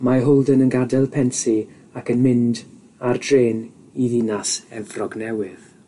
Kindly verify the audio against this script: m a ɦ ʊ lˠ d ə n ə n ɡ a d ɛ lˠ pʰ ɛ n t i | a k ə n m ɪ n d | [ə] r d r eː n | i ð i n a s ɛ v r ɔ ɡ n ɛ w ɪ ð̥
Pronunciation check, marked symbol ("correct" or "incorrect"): incorrect